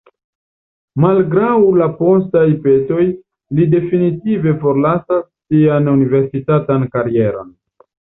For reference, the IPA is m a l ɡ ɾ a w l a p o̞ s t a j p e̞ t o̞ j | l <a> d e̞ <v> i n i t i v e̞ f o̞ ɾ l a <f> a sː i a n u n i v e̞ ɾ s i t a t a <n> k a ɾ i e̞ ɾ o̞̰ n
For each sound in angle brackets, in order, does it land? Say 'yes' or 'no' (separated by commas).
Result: no, no, no, yes